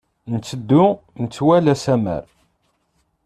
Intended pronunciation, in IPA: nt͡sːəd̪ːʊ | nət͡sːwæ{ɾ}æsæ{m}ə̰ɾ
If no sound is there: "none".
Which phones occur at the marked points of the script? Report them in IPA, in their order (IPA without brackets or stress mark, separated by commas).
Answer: l, m